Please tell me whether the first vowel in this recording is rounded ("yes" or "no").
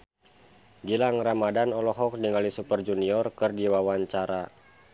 no